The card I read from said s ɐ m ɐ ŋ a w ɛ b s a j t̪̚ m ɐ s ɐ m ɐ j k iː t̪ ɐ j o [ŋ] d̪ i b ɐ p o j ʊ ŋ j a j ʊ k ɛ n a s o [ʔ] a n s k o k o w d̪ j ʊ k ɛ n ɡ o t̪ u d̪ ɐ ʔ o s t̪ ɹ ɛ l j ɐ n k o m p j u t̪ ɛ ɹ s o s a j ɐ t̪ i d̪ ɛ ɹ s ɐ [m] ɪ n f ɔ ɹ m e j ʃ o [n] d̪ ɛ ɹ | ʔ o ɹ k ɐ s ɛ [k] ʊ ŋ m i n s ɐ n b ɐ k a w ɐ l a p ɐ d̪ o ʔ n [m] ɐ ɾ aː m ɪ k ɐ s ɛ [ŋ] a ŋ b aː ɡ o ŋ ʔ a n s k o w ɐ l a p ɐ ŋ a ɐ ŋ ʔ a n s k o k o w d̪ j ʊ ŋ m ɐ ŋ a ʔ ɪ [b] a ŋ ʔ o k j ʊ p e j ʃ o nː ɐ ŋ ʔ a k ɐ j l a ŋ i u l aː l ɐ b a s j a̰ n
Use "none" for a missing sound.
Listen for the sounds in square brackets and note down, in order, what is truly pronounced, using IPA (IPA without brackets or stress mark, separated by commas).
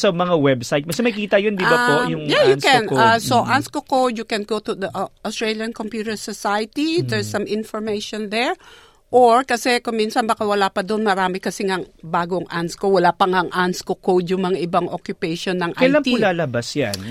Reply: n, ʔ, m, n, k, m, ŋ, b